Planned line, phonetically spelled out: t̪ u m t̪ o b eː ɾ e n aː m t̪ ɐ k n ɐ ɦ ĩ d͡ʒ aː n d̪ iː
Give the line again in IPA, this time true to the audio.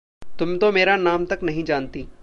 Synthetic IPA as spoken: t̪ ʊ m t̪ o m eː ɾ a n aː m t̪ ɐ k n ɐ ɦ ĩ d͡ʒ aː n t̪ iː

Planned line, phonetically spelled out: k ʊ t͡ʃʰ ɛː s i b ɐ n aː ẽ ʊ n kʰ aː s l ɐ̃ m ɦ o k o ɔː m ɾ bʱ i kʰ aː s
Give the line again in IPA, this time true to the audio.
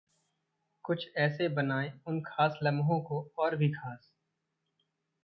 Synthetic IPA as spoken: k ʊ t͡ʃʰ ɛː s e b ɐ n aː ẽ ʊ n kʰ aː s l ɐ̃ m ɦ õ k o ɔː ɾ bʱ i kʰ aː s

